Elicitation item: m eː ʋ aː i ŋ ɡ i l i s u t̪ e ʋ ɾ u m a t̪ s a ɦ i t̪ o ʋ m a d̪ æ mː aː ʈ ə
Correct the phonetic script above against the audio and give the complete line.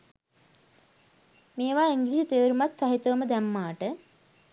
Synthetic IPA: m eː ʋ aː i ŋ ɡ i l i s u t̪ e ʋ ɾ u m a t̪ s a ɦ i t̪ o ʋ m ə d̪ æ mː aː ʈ ə